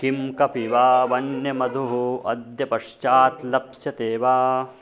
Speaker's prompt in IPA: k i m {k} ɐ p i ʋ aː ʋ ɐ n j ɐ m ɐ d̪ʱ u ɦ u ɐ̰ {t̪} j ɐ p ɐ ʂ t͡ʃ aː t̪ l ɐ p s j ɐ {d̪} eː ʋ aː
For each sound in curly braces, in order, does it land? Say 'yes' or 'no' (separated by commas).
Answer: yes, no, no